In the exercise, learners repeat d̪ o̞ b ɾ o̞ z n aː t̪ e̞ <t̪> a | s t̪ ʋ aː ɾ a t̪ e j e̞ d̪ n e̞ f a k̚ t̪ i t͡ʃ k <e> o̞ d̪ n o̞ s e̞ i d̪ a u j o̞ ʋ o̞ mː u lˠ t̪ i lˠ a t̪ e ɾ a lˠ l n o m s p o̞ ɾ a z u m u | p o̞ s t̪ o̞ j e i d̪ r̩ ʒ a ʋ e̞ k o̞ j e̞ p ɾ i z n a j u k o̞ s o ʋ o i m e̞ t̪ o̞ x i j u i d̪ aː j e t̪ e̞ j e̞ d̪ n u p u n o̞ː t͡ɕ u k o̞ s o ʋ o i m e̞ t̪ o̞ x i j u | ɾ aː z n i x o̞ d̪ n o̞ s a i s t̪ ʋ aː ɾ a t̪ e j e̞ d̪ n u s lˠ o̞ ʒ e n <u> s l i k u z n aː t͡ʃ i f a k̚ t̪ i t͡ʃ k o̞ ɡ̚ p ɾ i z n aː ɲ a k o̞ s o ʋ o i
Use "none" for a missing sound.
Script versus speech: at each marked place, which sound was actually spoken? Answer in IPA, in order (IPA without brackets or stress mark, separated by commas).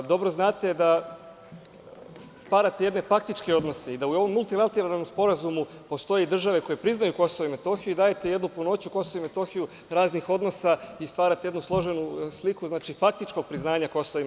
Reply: d̪, e, u